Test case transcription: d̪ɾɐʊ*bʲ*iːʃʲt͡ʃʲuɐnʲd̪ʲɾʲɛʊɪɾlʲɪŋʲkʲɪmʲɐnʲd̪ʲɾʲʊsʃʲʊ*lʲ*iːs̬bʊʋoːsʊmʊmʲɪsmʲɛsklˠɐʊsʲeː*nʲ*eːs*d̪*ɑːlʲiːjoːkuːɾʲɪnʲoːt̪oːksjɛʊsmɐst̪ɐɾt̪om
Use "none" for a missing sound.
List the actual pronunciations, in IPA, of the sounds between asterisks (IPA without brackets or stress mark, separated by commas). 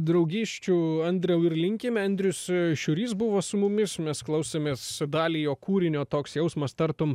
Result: ɡʲ, ɾʲ, mʲ, d̪